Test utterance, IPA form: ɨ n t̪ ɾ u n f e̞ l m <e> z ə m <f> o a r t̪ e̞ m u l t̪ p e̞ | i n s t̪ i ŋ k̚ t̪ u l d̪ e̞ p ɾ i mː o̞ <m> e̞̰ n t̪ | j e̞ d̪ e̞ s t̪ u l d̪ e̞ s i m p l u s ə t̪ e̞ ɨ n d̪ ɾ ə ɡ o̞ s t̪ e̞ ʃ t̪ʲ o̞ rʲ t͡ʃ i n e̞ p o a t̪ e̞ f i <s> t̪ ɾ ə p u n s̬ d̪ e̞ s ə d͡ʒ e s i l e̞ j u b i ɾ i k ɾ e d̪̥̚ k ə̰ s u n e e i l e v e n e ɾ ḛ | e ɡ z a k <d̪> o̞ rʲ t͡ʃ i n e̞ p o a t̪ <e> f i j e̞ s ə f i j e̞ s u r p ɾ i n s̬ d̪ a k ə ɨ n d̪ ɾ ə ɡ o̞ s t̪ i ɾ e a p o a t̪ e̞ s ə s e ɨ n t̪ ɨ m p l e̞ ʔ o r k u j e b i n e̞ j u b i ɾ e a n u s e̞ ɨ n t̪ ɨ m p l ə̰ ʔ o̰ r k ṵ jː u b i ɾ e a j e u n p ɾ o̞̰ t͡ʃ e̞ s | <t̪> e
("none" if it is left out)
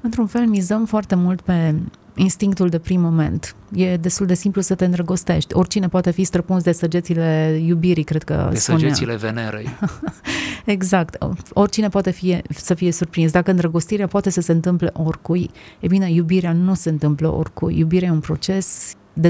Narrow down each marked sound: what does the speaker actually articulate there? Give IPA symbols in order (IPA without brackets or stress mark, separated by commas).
i, f, m, s, t̪, e, d̪